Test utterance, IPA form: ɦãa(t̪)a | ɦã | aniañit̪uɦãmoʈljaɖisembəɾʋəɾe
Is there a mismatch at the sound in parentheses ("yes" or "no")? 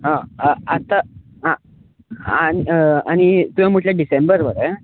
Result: no